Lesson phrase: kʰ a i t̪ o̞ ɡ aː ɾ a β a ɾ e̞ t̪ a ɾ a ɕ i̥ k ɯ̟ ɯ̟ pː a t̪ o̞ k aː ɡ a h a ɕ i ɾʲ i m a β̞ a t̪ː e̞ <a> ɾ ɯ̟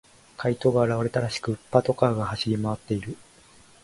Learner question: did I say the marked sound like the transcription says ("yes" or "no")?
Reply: no